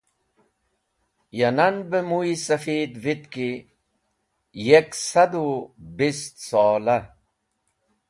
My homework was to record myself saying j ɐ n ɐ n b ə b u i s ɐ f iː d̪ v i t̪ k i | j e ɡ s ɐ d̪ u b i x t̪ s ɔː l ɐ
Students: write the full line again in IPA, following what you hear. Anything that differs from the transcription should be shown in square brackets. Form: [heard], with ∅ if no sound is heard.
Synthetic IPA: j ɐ n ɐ n b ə [m] u i s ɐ f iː d̪ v i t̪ k i | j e [k] s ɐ d̪ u b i [s] t̪ s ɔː l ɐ